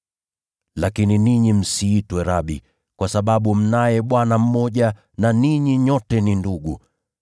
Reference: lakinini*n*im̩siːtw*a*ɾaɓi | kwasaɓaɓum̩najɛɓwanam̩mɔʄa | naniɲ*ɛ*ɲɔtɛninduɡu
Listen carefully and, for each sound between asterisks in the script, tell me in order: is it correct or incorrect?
incorrect: ɲ, incorrect: ɛ, incorrect: i

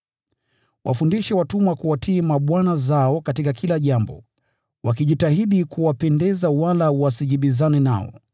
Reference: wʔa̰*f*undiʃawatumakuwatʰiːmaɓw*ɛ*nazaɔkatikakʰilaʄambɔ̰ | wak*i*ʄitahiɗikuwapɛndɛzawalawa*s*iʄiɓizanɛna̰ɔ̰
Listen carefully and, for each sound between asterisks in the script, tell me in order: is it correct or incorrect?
correct, incorrect: a, correct, correct

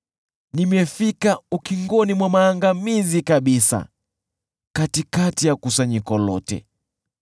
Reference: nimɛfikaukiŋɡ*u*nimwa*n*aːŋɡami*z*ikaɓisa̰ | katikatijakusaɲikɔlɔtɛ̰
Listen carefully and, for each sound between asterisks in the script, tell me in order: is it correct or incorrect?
incorrect: ɔ, incorrect: m, correct

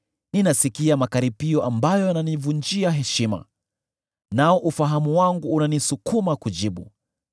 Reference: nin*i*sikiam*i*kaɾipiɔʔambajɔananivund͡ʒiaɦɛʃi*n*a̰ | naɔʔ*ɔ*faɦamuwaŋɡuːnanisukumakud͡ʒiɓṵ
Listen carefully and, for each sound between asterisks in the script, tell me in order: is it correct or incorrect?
incorrect: a, incorrect: a, incorrect: m, incorrect: u

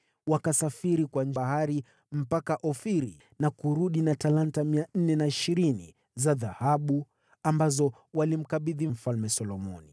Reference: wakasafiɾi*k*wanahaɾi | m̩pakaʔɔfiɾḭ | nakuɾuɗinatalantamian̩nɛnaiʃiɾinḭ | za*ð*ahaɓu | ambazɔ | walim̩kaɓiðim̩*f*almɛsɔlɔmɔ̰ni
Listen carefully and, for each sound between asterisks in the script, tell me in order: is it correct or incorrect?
correct, correct, correct

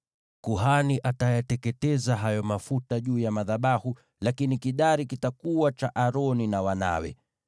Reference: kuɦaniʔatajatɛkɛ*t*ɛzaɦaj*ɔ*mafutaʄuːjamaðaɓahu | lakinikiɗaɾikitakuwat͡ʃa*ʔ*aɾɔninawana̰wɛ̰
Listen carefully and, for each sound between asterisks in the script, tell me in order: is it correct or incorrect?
correct, correct, correct

